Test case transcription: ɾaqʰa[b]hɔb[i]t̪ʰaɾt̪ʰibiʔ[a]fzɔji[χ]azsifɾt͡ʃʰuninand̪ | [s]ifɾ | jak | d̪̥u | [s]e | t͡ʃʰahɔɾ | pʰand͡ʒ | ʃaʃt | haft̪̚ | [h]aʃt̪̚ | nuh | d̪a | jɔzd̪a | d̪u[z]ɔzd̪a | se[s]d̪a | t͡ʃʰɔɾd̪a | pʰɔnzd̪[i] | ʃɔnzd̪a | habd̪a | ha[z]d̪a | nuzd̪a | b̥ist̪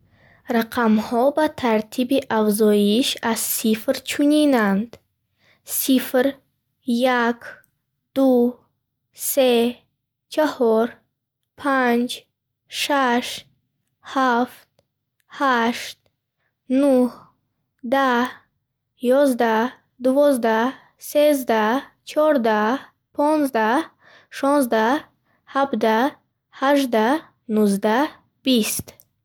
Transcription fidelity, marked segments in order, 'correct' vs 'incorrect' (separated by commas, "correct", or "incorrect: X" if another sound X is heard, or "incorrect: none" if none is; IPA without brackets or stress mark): incorrect: m, incorrect: a, correct, incorrect: ʃ, correct, correct, correct, incorrect: v, incorrect: z, incorrect: a, incorrect: ʒ